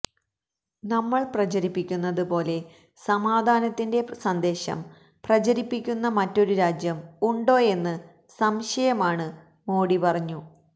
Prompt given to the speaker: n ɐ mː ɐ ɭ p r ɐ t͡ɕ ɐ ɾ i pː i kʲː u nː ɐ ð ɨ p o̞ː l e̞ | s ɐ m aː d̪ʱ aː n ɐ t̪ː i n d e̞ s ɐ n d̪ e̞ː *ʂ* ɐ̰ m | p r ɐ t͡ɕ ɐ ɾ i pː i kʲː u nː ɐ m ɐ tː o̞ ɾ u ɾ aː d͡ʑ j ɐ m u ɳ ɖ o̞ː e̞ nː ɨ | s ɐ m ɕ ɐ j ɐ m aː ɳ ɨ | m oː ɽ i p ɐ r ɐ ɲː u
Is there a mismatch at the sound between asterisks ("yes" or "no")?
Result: yes